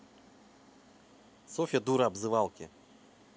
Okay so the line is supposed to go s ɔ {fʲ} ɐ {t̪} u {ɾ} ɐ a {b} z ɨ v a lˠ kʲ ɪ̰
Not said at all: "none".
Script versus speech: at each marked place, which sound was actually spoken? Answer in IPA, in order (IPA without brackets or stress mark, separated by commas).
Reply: fʲ, d̪, ɾ, b